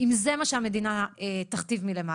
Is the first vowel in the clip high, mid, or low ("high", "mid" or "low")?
high